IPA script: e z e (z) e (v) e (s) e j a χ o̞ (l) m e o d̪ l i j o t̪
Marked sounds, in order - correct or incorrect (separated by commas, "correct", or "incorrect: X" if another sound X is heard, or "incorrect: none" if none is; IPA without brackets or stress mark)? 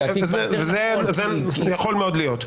incorrect: v, incorrect: z, incorrect: z, correct